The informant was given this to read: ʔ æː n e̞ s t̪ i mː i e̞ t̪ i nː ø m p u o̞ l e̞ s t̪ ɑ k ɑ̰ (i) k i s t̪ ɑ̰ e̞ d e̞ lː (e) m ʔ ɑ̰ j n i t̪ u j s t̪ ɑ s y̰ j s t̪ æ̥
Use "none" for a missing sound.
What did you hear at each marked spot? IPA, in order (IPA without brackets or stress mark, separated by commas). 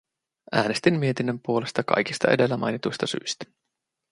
j, æ